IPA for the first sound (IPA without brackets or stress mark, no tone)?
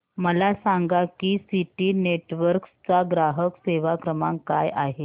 m